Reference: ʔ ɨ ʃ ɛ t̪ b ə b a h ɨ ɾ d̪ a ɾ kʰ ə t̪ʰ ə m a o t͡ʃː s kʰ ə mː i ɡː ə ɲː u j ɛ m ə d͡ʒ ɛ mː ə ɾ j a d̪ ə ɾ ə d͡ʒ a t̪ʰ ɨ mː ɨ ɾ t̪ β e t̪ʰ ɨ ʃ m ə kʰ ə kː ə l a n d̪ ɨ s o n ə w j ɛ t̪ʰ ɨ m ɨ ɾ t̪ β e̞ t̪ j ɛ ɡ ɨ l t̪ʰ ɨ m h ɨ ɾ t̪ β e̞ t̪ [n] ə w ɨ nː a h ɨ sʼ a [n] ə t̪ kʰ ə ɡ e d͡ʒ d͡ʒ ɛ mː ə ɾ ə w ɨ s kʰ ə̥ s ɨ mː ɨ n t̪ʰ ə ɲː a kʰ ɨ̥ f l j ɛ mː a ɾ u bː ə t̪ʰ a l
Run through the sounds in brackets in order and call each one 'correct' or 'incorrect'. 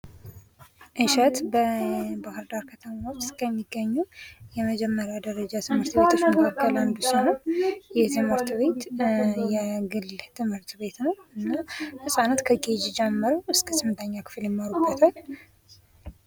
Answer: correct, correct

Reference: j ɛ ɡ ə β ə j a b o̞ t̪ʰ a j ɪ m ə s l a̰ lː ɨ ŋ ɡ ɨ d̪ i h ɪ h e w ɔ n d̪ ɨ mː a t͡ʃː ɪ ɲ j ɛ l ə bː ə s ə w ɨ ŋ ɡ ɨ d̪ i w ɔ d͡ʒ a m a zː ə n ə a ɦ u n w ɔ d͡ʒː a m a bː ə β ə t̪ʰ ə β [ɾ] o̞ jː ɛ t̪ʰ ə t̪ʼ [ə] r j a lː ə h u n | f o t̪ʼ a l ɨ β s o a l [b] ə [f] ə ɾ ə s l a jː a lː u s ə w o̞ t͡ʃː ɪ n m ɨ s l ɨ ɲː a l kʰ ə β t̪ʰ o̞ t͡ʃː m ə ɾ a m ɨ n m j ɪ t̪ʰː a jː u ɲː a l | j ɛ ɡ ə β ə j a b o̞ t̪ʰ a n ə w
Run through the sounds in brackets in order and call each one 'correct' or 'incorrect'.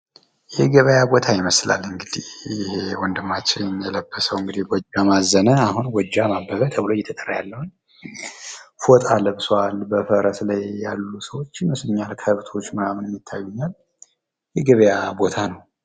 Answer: incorrect: l, correct, correct, correct

